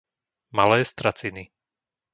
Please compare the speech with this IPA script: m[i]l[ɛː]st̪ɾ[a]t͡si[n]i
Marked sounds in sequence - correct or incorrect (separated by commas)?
incorrect, correct, correct, correct